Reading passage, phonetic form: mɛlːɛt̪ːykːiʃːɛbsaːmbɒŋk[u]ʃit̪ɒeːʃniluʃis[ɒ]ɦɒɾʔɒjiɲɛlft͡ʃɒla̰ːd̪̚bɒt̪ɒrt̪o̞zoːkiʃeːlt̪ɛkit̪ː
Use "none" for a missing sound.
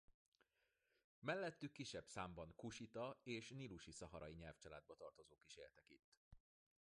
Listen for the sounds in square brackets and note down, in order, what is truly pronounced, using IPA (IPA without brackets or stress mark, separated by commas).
u, ɒ